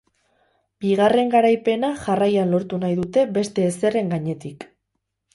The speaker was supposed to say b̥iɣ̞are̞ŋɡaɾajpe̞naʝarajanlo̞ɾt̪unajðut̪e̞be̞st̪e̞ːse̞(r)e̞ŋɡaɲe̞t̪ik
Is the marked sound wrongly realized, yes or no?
no